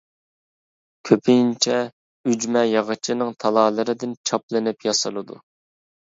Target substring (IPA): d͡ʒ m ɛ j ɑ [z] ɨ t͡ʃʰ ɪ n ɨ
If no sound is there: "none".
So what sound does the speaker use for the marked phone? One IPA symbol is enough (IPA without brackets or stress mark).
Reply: ʁ